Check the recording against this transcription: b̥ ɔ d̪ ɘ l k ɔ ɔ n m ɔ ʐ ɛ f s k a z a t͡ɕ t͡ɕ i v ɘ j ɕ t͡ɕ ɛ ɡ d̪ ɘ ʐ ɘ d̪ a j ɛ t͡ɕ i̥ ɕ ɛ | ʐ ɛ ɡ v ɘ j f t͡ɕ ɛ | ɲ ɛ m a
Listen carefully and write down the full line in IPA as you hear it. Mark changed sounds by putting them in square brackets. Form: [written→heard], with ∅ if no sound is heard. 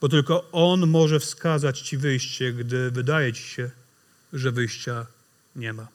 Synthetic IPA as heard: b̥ ɔ [d̪→t̪] ɘ l k ɔ ɔ n m ɔ ʐ ɛ f s k a z a t͡ɕ t͡ɕ i v ɘ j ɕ t͡ɕ ɛ ɡ d̪ ɘ [ʐ→v] ɘ d̪ a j ɛ t͡ɕ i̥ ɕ ɛ | ʐ ɛ [ɡ→∅] v ɘ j [f→ɕ] t͡ɕ [ɛ→a] | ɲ ɛ m a